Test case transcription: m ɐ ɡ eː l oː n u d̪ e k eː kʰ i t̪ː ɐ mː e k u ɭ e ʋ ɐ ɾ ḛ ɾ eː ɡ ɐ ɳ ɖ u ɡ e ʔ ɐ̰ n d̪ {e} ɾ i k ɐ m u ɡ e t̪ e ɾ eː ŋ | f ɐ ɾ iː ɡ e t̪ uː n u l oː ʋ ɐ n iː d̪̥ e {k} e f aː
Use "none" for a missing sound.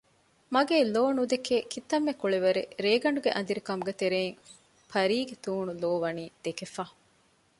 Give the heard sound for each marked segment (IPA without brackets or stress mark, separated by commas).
i, k